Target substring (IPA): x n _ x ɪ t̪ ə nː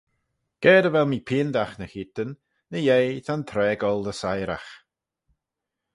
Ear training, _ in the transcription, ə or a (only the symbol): ə